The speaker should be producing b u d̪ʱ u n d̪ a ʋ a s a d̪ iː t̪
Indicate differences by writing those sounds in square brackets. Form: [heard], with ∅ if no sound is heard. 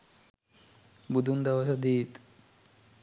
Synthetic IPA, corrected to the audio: b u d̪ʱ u n d̪ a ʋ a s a d̪ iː t̪